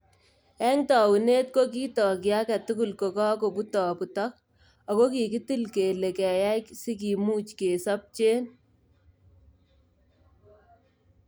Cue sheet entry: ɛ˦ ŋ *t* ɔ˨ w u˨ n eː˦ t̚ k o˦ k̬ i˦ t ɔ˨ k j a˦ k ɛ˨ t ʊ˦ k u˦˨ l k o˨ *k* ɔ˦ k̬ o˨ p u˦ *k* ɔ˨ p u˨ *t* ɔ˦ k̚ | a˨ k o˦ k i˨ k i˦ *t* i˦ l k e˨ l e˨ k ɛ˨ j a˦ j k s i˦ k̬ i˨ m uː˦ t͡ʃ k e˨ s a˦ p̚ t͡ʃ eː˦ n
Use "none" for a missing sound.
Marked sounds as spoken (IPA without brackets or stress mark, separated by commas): t, k, t, t, t